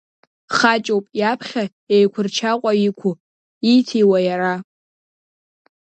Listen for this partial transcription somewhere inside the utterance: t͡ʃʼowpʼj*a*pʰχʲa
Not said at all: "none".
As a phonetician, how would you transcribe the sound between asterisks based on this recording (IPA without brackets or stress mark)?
a